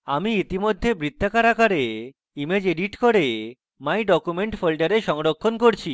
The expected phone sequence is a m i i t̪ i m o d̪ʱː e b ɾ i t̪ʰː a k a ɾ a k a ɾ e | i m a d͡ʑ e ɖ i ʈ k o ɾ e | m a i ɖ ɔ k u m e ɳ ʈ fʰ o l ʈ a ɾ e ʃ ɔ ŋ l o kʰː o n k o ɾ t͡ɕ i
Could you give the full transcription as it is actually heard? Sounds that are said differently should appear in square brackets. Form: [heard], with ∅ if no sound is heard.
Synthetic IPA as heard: a m i i t̪ i m o d̪ʱː e b ɾ i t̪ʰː a k a ɾ a k a ɾ e | i m [e] d͡ʑ e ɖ i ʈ k o ɾ e | m a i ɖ ɔ k u m e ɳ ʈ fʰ o l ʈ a ɾ e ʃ ɔ ŋ [ɾ] o kʰː o n k o ɾ [t͡ɕʰ] i